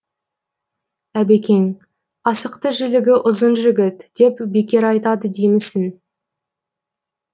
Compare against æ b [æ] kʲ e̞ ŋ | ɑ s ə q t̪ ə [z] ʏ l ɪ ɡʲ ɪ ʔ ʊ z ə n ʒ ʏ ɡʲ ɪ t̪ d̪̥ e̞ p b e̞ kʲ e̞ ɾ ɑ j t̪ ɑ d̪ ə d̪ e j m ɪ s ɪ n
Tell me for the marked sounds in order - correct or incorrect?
incorrect, incorrect

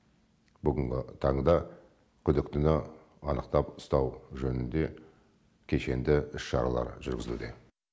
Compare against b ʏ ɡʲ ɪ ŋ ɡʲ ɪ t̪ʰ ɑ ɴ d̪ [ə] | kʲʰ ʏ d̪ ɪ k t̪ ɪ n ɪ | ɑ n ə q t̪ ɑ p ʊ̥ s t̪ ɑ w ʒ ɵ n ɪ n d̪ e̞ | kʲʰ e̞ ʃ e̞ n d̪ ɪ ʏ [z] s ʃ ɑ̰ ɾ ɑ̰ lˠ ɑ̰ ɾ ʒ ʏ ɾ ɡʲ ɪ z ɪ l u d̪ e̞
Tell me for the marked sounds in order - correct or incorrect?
incorrect, incorrect

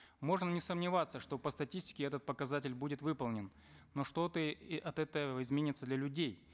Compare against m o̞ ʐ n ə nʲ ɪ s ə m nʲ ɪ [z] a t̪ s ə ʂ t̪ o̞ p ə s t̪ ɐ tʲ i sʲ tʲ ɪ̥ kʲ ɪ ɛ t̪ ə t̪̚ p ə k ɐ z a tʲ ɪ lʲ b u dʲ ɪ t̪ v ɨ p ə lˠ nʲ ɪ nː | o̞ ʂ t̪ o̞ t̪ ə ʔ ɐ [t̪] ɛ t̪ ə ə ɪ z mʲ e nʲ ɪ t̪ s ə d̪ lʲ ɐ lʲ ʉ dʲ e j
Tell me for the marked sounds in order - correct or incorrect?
incorrect, correct

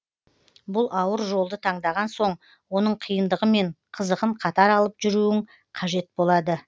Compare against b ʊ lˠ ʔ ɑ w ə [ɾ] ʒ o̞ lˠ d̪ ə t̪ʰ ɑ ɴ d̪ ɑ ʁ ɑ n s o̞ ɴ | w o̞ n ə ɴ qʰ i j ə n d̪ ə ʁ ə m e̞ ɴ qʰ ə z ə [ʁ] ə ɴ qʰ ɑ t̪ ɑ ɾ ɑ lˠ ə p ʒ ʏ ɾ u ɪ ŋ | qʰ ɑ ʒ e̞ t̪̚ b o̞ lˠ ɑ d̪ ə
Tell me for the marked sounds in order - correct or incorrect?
correct, correct

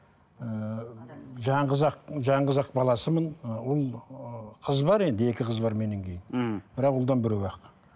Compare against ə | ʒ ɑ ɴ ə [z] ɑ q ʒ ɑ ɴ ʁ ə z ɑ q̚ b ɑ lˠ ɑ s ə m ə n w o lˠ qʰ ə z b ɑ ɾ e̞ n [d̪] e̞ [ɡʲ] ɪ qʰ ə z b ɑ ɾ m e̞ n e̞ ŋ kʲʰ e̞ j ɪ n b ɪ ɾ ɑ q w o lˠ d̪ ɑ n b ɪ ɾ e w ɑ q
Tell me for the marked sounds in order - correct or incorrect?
correct, correct, incorrect

